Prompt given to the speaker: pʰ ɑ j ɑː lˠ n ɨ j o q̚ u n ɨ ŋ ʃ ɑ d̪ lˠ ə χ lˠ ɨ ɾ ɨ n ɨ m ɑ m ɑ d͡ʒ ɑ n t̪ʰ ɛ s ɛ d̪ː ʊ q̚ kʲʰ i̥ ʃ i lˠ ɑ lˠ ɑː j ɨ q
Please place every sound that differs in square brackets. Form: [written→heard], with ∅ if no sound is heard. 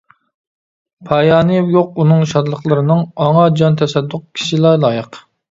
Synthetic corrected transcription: pʰ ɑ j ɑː [lˠ→∅] n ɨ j o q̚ u n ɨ ŋ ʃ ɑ d̪ lˠ ə χ lˠ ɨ ɾ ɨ n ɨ [m→ŋ] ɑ [m→ŋ] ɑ d͡ʒ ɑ n t̪ʰ ɛ s ɛ d̪ː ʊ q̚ kʲʰ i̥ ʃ i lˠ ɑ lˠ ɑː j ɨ q